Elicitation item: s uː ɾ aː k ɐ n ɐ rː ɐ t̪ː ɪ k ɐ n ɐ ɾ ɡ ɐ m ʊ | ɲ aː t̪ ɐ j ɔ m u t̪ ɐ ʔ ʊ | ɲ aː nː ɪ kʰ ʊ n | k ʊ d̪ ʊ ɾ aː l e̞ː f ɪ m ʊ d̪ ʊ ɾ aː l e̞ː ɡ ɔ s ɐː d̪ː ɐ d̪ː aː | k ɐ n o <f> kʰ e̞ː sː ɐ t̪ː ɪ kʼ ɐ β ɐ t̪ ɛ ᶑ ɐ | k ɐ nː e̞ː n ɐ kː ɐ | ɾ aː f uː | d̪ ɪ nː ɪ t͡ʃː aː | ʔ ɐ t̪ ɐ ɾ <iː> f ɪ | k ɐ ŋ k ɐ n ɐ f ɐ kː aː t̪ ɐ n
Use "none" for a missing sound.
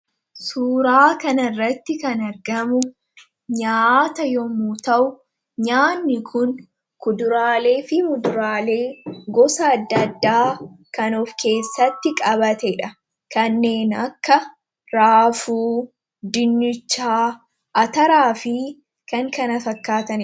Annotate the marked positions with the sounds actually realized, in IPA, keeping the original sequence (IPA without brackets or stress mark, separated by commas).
f, aː